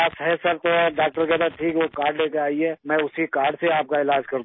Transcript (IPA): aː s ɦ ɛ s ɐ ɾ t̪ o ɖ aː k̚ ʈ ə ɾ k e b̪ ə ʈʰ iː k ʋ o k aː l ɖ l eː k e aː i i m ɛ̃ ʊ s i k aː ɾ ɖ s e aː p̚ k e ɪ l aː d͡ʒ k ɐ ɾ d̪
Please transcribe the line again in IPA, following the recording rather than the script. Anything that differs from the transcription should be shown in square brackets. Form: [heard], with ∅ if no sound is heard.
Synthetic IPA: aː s ɦ ɛ s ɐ ɾ t̪ o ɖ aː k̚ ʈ ə ɾ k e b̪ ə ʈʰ iː k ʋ o k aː [ɾ] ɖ l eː k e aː i [ɛ] m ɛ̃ ʊ s i k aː ɾ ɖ s e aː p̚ k [a] ɪ l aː d͡ʒ k ɐ ɾ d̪